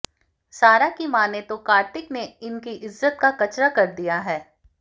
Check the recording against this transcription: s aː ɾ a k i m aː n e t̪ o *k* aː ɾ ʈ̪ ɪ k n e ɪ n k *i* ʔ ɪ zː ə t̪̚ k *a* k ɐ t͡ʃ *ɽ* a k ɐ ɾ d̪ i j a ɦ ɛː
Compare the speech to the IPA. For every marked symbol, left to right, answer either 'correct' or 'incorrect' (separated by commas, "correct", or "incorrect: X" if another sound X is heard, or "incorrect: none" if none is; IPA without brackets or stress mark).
correct, correct, correct, incorrect: ɾ